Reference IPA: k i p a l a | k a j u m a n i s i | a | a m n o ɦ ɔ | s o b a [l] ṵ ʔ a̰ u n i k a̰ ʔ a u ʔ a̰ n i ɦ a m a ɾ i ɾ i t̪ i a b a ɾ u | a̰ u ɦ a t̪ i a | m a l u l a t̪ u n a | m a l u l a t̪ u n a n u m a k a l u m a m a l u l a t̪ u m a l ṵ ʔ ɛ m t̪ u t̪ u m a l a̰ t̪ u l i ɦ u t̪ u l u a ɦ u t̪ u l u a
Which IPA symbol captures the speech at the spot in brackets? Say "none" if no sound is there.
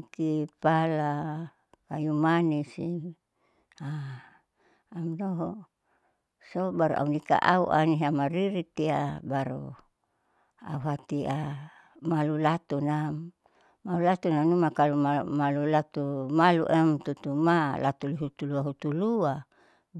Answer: ɾ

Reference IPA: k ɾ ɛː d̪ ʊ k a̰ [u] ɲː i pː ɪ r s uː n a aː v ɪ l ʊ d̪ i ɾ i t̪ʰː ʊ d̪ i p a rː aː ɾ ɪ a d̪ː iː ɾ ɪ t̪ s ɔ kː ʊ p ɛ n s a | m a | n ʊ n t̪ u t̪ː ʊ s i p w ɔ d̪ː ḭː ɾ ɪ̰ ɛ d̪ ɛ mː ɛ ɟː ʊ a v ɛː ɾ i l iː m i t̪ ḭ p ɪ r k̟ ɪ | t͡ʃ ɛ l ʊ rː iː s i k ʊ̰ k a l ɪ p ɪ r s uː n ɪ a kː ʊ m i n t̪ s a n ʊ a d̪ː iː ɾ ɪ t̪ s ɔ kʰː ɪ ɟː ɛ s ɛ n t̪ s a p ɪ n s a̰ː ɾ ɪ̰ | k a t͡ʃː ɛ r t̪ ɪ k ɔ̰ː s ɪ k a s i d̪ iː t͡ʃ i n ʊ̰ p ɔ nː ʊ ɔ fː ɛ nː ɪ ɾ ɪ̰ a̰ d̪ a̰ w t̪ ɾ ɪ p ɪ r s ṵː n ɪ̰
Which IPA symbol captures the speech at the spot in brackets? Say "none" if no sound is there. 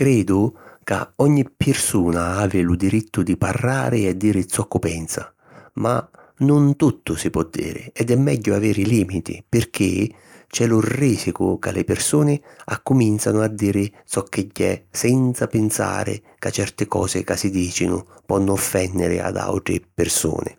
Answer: ɔ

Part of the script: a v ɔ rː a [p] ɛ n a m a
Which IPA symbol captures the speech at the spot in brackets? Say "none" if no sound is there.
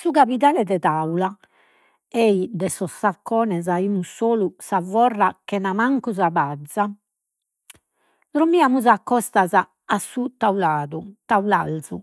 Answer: k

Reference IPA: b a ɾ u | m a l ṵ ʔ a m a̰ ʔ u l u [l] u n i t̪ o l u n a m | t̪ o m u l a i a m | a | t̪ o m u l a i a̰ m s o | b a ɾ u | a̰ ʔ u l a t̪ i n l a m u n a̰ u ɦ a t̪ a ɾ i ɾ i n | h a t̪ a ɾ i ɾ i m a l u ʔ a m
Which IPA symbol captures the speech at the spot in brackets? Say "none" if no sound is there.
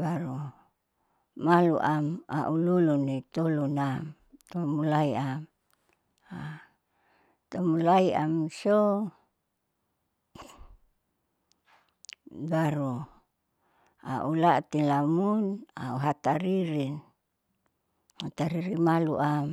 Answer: l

